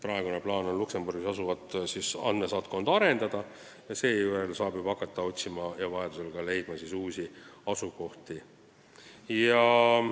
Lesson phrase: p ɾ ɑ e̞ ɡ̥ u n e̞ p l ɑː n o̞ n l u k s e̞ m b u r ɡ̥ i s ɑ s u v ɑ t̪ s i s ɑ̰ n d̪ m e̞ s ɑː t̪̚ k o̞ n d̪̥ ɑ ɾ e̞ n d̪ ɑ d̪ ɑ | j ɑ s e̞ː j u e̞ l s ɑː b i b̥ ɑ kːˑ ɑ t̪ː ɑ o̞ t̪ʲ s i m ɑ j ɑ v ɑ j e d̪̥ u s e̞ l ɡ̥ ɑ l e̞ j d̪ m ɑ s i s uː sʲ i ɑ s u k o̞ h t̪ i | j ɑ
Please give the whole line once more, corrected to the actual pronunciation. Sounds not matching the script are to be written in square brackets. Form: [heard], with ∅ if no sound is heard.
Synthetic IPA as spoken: p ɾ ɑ e̞ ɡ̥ u n e̞ p l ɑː n o̞ n l u k s e̞ m b u r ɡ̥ i s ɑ s u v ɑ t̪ s i s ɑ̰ n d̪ m e̞ s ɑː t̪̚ k o̞ n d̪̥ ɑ ɾ e̞ n d̪ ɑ d̪ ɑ | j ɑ s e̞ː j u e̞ l s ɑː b i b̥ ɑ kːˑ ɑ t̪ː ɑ o̞ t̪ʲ s i m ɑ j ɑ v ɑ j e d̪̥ u s e̞ l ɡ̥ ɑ l e̞ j d̪ m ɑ s i s uː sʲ i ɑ s u k o̞ h t̪ i | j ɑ